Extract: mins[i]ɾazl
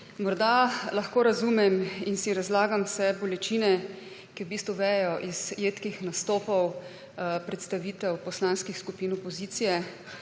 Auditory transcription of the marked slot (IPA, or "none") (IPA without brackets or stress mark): i